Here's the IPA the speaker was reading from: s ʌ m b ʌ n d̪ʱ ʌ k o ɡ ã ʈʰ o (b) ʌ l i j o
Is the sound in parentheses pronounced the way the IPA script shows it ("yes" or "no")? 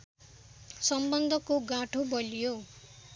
yes